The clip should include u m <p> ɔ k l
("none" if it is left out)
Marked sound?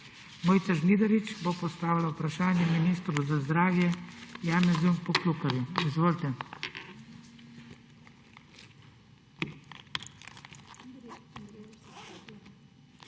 p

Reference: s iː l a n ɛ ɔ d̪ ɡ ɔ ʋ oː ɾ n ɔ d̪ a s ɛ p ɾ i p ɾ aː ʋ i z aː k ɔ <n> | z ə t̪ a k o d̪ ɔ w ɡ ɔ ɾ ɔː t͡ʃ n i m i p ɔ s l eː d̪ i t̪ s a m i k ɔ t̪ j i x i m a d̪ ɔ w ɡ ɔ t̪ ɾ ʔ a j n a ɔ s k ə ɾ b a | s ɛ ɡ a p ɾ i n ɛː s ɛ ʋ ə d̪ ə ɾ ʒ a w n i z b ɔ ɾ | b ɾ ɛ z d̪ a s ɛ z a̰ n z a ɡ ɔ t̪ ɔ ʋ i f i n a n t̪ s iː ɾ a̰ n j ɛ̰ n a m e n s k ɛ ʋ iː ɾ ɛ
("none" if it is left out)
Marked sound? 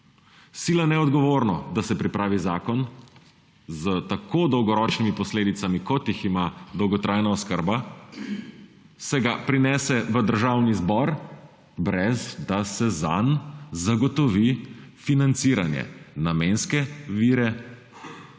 n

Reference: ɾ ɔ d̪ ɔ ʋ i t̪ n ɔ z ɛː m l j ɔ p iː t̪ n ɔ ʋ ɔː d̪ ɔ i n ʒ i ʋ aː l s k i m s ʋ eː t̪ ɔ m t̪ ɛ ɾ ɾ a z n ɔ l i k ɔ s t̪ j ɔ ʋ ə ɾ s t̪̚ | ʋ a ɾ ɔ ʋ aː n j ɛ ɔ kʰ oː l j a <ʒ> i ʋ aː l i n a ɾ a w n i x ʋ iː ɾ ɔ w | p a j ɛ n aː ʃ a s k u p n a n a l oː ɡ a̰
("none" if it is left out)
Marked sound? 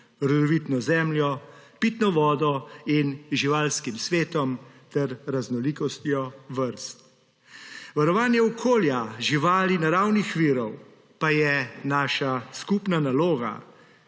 ʒ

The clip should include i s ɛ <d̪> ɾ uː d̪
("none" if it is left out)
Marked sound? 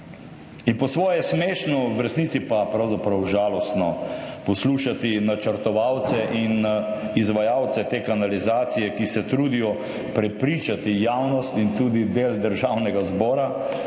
t̪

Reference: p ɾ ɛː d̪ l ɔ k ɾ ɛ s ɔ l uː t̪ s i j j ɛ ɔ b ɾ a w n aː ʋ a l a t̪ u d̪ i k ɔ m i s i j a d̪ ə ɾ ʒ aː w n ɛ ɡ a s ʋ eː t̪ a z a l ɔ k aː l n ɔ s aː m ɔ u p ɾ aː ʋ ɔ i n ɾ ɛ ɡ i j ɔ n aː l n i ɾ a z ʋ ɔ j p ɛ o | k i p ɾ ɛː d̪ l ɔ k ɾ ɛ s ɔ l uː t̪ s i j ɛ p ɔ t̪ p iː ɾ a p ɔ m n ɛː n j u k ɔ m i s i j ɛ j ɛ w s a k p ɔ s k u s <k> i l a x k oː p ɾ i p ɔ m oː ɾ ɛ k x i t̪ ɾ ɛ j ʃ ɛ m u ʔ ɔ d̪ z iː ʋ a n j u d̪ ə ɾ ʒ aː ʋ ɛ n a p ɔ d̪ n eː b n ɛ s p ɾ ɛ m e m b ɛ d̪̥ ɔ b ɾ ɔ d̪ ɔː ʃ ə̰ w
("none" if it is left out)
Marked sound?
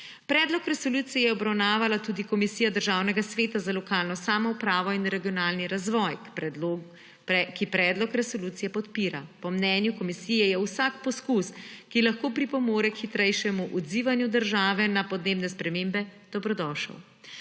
k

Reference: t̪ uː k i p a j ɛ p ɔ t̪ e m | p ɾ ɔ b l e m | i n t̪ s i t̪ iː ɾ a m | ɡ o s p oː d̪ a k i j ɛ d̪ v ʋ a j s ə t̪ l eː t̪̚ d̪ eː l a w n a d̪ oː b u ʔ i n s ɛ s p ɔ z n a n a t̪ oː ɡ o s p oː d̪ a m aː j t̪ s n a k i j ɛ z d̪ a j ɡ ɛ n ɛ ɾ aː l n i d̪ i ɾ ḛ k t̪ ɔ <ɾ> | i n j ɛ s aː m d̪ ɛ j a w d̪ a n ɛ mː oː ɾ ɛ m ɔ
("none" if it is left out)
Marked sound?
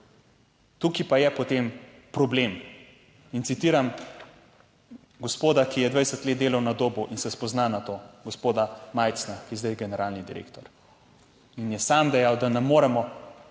ɾ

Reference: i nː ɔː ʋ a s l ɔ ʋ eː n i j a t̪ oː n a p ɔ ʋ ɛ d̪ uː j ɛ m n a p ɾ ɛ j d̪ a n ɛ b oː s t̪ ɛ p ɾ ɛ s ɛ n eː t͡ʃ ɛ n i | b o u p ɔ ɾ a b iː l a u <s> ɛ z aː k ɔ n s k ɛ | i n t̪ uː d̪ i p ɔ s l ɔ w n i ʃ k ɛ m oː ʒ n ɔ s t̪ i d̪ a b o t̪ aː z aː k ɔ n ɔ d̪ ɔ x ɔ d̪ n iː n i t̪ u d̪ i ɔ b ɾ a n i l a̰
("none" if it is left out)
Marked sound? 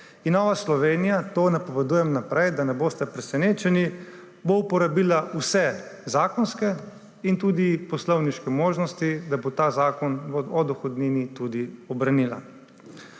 s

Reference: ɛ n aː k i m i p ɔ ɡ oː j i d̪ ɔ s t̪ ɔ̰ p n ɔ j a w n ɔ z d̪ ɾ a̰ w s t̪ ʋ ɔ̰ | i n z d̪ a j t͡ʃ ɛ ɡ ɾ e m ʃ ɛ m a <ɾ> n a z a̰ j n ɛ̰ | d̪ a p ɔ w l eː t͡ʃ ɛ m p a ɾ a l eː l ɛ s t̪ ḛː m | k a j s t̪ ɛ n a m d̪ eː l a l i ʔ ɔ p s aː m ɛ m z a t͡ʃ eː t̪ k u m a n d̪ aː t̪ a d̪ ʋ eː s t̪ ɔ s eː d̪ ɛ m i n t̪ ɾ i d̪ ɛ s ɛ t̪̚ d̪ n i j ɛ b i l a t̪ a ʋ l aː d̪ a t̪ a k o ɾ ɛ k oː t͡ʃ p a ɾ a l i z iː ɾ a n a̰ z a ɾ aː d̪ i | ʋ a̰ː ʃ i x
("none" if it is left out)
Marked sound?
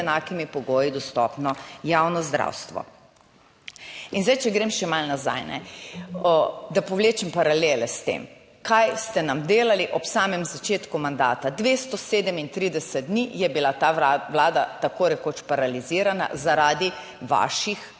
l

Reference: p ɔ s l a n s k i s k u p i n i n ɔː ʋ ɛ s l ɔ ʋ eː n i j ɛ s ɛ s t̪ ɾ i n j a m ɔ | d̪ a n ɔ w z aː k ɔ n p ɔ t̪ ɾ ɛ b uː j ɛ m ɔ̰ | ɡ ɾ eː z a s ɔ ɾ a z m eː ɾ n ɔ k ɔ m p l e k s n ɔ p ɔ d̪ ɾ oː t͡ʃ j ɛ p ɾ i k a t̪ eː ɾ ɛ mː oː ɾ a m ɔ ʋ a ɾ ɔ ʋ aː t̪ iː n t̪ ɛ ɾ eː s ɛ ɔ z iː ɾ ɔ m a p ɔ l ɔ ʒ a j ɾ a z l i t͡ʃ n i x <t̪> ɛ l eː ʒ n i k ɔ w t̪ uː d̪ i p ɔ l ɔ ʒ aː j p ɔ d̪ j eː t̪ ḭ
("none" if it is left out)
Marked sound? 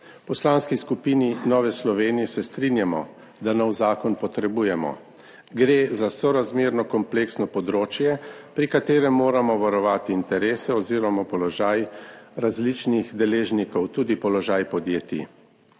d̪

